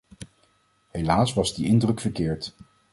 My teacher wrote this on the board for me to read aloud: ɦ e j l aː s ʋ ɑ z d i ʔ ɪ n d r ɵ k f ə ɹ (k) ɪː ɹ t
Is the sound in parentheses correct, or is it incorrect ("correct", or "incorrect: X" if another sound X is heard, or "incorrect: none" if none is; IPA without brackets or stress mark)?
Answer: correct